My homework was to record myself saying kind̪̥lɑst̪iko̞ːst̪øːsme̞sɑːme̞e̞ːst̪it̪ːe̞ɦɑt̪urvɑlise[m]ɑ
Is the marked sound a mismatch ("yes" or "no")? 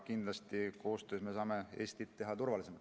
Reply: no